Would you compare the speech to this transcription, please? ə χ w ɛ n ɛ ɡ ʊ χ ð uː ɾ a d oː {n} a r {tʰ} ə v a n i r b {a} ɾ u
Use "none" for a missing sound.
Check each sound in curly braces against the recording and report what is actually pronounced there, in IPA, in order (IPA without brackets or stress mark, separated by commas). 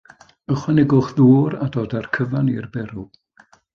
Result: d, kʰ, ɛ